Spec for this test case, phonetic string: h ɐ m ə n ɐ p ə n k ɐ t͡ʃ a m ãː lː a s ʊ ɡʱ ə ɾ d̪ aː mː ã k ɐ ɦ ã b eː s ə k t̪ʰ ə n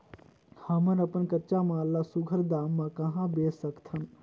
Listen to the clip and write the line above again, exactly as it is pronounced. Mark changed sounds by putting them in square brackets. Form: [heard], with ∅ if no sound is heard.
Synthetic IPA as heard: h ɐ m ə n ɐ p ə n k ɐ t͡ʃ a m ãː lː a s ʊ ɡʱ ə ɾ d̪ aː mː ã k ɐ ɦ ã b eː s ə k t̪ʰ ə n